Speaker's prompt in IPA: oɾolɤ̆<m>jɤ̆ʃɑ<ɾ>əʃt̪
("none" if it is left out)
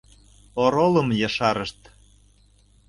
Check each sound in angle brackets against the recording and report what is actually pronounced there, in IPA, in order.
m, ɾ

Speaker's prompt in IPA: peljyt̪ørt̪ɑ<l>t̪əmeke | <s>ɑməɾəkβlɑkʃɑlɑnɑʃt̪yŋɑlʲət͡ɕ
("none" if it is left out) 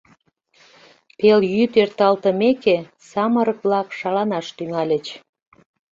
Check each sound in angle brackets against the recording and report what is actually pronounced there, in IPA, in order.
l, s

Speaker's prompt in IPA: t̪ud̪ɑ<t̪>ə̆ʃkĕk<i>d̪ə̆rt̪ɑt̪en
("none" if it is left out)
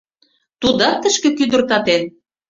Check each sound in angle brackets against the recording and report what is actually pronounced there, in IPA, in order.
t̪, y

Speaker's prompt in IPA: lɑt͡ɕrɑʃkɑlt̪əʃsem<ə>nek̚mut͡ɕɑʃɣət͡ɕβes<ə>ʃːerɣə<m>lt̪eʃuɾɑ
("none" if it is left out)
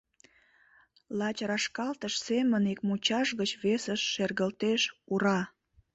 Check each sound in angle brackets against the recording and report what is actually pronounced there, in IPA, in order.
ə, ə, none

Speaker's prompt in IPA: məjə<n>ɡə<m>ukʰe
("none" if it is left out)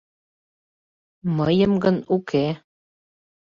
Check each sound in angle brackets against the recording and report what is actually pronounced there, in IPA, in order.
m, n

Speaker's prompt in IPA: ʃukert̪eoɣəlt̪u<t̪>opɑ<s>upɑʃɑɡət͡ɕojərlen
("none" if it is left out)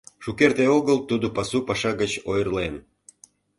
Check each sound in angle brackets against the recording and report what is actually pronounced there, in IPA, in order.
d̪, s

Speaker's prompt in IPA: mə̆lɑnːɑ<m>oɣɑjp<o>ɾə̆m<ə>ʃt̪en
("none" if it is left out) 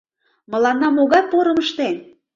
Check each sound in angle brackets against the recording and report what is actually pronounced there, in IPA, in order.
m, o, ə

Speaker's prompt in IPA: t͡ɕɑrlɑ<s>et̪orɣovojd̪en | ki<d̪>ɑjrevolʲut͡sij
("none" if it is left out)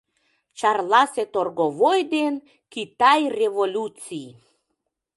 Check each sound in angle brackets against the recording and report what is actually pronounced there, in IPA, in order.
s, t̪

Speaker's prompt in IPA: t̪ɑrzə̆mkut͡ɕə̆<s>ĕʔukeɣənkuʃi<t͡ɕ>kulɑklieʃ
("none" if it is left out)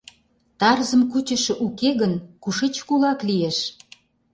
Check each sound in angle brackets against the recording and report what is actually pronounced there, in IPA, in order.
ʃ, t͡ɕ

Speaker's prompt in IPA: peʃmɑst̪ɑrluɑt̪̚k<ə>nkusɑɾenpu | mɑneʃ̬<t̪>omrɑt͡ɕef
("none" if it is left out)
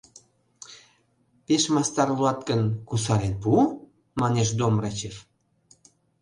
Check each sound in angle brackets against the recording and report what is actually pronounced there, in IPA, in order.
ə, d̪

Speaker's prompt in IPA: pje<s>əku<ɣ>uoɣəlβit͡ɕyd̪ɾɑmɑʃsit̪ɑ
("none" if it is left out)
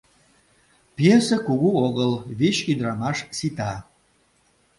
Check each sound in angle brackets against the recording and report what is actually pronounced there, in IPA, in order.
s, ɣ

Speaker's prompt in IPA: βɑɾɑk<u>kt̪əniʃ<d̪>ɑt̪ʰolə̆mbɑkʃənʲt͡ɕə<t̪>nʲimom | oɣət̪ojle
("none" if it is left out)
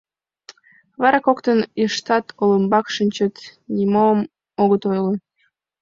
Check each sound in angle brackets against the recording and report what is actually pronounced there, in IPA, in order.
o, t̪, t̪

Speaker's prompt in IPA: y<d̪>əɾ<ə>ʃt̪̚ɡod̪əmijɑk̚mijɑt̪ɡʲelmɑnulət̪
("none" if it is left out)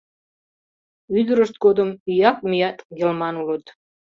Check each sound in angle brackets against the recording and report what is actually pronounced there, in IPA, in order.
d̪, ə

